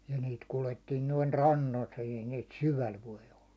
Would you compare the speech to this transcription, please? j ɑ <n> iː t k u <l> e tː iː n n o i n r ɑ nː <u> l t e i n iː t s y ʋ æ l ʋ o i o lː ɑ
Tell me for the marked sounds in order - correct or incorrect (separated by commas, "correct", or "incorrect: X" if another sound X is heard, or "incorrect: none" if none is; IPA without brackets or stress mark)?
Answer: correct, correct, incorrect: o